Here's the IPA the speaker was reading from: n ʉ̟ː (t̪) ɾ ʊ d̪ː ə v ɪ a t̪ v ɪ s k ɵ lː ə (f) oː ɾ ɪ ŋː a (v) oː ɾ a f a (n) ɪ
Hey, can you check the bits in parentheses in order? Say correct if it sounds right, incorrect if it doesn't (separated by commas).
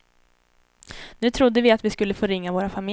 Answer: incorrect, correct, correct, incorrect